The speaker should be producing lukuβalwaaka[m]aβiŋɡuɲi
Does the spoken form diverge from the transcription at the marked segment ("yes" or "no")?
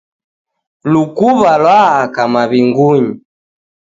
no